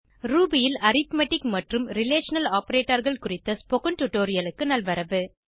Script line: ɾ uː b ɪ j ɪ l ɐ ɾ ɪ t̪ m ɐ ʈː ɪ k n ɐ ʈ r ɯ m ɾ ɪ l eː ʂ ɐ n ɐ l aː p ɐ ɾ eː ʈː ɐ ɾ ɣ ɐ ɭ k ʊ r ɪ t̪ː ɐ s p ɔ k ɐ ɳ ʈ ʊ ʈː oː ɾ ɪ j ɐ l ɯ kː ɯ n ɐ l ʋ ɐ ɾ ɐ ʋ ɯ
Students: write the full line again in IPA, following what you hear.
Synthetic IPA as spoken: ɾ uː b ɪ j ɪ l ɐ ɾ ɪ t̪ m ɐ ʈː ɪ k m ɐ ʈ r ɯ m ɾ ɪ l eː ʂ ɐ n ɐ l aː p ɐ ɾ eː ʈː ɐ ɾ ɣ ɐ ɭ k ʊ r ɪ t̪ː ɐ s p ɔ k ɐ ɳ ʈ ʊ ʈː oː ɾ ɪ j ɐ l ɯ kː ɯ n ɐ l ʋ ɐ ɾ ɐ ʋ ɯ